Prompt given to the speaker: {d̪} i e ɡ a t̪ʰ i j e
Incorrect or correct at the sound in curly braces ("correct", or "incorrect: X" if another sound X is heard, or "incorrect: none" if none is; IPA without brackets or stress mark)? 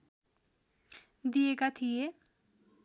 correct